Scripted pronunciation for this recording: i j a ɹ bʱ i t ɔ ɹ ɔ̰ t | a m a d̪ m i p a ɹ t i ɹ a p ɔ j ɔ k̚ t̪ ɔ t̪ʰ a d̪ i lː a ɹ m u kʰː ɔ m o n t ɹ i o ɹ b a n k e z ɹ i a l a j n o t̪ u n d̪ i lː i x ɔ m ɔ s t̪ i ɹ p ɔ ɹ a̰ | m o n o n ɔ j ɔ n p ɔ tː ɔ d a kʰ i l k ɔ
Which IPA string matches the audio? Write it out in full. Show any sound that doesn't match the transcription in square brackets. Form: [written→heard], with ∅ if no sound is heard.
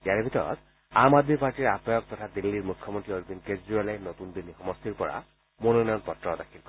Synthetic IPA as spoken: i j a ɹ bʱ i t ɔ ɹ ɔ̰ t | a m a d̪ m i p a ɹ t i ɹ a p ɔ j ɔ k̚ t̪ ɔ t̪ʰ a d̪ i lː [a→i] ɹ m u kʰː ɔ m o n t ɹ i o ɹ b [a→i] n k e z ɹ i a l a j n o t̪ u n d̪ i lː i x ɔ m ɔ s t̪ i ɹ p ɔ ɹ a̰ | m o n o n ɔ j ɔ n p ɔ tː ɔ d a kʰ i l k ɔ